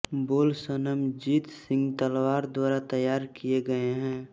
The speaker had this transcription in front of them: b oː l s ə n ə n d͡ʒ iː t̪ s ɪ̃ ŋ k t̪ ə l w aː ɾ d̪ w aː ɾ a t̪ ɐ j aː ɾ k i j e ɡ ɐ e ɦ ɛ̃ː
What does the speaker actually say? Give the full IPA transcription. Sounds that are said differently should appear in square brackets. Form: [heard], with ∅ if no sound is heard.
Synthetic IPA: b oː l s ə n ə [m] d͡ʒ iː t̪ s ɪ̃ ŋ [ɡ] t̪ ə l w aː ɾ d̪ w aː ɾ a t̪ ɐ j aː ɾ k i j e ɡ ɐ e ɦ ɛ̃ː